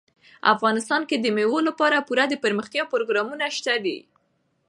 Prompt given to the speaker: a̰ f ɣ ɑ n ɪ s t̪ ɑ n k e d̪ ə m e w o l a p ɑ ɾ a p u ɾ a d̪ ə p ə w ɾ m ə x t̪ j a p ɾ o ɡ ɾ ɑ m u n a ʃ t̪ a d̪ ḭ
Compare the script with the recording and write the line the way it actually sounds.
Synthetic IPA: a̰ f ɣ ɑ n ɪ s t̪ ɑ n k e d̪ ə m e w o l a p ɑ ɾ a p u ɾ a d̪ ə p ə ɾ m ə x t̪ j ɑ p ɾ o ɡ ɾ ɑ m u n a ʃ t̪ a d̪ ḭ